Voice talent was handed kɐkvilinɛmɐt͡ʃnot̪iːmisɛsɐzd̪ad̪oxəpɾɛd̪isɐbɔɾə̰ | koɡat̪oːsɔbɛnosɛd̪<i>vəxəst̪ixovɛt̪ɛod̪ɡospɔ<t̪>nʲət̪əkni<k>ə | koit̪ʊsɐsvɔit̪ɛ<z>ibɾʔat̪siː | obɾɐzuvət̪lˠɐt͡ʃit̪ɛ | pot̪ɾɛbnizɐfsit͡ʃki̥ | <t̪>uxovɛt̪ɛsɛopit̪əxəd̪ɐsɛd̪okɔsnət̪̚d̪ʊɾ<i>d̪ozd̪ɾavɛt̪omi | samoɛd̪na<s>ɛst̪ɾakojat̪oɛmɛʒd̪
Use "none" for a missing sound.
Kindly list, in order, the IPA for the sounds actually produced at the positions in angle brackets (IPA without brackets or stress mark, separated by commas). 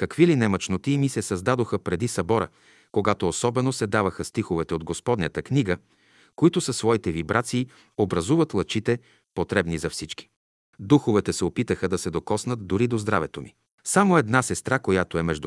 a, d̪, ɡ, v, d̪, i, s